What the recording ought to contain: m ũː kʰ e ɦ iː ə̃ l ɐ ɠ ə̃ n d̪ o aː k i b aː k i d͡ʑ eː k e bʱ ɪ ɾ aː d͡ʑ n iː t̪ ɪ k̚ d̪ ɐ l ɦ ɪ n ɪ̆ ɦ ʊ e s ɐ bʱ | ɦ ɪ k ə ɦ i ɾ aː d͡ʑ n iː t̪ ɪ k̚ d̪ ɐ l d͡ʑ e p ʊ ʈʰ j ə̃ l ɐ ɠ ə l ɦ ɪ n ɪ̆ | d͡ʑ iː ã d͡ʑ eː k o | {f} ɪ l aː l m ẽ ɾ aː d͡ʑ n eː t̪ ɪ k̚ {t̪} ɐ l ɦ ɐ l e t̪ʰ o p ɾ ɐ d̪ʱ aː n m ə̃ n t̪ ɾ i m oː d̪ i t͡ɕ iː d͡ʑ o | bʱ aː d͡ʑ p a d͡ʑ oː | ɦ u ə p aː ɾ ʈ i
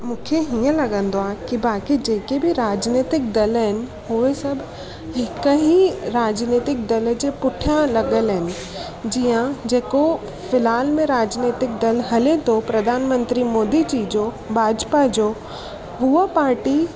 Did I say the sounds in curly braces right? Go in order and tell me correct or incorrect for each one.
correct, incorrect

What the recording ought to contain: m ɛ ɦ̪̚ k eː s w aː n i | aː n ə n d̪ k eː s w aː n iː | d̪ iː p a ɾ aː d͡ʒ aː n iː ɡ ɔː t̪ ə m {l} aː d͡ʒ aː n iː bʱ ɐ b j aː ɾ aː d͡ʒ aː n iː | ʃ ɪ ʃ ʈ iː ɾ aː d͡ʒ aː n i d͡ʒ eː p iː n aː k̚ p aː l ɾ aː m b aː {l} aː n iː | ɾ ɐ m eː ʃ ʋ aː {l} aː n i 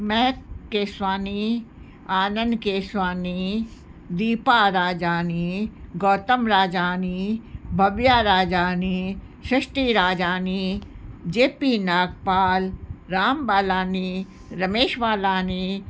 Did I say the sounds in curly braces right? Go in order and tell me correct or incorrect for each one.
incorrect, correct, correct

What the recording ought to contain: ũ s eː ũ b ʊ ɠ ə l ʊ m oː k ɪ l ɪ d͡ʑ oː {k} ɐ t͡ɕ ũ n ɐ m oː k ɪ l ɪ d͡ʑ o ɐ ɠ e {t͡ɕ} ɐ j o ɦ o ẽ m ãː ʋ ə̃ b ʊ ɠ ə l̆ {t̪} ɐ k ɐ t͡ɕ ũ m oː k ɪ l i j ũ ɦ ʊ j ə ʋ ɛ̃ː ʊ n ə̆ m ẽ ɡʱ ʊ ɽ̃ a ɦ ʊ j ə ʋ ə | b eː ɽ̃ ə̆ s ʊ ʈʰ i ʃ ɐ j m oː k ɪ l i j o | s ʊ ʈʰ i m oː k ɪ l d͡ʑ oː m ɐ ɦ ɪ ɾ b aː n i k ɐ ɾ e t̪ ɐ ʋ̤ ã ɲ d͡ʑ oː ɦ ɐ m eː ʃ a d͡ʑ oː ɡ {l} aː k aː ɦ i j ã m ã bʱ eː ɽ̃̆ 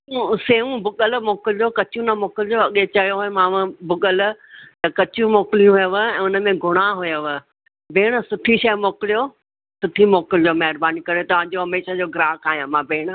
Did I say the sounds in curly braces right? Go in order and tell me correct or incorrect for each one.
correct, correct, correct, incorrect

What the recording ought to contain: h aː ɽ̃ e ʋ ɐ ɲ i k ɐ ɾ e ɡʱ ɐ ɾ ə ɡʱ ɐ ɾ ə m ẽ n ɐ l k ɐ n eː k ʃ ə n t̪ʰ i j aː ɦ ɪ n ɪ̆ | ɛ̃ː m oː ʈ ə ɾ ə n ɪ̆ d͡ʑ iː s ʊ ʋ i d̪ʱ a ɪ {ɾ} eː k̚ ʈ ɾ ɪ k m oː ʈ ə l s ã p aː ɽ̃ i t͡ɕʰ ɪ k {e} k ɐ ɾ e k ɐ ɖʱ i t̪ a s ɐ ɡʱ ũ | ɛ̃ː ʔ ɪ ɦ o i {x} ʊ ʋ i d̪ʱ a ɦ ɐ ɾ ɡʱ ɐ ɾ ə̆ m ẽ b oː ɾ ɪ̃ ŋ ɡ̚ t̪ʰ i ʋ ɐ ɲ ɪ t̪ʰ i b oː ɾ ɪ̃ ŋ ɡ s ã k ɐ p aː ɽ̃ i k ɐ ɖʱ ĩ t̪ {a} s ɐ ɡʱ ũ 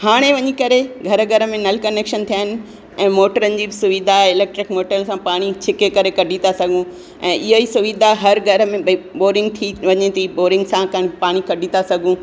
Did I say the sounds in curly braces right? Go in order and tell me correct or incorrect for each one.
incorrect, correct, incorrect, correct

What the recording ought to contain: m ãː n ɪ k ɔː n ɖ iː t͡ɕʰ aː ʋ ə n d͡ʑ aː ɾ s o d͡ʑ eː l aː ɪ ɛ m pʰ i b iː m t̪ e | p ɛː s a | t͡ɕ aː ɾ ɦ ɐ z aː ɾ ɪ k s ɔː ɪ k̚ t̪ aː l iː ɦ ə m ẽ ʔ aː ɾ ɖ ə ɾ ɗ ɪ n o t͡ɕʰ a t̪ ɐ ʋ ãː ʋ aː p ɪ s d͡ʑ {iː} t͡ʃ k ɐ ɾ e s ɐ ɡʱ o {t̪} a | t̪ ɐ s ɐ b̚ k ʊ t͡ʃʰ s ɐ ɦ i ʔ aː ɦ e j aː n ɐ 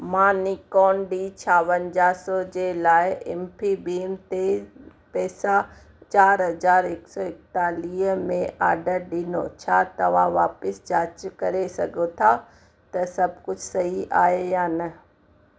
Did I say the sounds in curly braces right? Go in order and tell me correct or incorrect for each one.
incorrect, incorrect

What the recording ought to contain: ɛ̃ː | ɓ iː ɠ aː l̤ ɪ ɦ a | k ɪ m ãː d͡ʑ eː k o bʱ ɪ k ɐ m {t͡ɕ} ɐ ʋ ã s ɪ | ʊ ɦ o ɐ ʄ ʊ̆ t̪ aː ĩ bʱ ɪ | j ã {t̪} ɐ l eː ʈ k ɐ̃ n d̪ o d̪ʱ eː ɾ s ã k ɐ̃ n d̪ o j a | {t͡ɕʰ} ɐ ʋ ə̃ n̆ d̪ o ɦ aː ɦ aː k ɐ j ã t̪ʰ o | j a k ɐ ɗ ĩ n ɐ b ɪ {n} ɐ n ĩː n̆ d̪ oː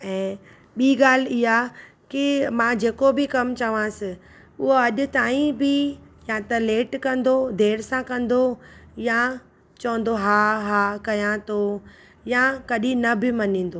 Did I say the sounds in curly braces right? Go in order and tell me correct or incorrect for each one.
correct, correct, incorrect, incorrect

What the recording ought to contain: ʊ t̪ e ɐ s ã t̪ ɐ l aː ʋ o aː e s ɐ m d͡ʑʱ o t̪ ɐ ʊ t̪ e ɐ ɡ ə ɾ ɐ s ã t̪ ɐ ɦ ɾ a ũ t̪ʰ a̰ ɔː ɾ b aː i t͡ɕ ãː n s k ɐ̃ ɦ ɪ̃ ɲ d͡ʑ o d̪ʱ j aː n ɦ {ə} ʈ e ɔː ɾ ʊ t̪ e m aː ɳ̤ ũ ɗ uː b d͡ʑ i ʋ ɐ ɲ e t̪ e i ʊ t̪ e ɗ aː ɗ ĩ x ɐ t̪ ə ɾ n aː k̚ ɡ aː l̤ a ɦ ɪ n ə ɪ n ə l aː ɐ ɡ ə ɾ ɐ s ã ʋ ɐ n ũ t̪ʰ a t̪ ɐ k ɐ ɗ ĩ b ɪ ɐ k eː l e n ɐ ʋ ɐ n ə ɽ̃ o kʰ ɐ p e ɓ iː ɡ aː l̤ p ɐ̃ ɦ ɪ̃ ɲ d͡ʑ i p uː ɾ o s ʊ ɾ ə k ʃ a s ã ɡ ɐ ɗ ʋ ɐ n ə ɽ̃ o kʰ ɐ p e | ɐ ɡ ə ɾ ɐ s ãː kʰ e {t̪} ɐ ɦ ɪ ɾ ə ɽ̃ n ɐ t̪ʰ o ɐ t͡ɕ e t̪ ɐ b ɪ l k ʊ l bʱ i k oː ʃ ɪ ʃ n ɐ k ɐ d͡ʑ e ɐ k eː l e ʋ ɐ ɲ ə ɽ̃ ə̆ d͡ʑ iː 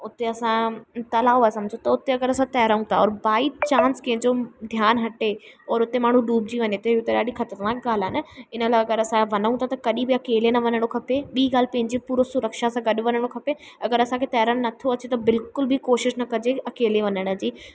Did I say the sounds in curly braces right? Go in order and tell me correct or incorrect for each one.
incorrect, correct

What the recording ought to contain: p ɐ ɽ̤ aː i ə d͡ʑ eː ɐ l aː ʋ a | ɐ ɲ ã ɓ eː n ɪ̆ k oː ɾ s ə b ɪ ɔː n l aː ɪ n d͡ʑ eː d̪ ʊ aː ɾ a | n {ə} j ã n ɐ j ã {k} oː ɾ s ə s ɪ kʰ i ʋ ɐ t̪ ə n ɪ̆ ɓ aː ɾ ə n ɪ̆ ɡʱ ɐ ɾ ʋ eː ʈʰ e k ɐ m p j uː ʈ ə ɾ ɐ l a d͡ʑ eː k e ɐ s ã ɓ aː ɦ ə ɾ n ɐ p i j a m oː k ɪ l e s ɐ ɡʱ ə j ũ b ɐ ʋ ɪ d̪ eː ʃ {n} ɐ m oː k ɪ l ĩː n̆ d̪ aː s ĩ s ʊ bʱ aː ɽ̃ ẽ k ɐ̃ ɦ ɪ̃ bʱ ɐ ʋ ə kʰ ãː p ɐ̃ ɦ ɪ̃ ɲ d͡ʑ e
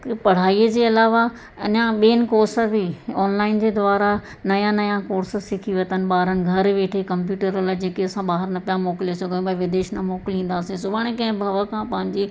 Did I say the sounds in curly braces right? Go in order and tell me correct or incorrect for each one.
incorrect, correct, correct

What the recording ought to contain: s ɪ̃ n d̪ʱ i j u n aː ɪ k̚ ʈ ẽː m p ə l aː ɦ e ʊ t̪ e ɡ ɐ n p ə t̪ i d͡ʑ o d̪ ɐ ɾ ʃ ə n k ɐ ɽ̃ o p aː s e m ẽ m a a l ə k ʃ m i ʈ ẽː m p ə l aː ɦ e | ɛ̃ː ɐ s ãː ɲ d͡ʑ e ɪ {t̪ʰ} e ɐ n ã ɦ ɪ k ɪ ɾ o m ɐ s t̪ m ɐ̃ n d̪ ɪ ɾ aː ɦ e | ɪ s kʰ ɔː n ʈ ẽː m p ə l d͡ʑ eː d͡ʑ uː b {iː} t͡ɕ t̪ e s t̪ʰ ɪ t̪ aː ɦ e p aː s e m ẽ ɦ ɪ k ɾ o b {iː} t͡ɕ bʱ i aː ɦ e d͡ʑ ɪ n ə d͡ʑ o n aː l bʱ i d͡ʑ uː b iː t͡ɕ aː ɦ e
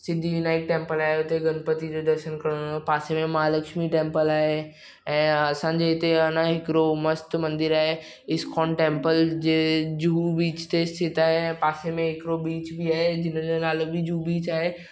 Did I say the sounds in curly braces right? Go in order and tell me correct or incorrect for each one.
incorrect, correct, correct

